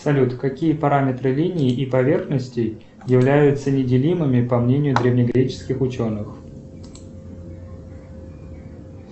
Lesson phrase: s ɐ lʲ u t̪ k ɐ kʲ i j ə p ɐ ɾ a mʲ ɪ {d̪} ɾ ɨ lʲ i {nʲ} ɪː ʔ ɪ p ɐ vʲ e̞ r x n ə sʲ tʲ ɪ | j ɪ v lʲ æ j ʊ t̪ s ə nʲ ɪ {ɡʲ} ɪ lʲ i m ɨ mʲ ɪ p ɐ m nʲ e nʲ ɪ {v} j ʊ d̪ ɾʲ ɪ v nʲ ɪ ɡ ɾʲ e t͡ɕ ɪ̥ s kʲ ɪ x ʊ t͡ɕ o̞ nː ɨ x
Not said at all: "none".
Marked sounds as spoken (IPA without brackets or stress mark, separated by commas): t̪, nʲ, dʲ, none